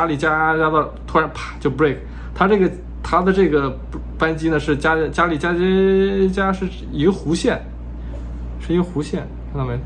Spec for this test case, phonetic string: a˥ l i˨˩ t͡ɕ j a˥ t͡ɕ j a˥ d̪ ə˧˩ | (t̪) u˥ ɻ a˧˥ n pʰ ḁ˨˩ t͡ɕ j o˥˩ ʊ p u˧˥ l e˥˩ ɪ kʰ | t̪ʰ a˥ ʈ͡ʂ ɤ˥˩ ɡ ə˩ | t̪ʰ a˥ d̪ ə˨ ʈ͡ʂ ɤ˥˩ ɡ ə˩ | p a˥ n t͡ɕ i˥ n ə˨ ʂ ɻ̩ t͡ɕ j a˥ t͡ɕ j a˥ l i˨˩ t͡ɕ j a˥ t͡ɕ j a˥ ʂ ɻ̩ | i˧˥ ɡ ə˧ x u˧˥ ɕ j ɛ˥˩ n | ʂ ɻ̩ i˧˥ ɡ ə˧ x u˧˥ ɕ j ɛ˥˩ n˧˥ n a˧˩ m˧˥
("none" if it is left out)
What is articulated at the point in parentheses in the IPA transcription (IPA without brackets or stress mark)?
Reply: t̪ʰ